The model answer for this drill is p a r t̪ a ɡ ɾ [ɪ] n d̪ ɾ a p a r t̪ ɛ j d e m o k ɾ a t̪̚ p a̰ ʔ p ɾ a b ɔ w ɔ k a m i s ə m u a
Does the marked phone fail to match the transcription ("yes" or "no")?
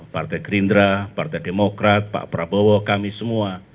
yes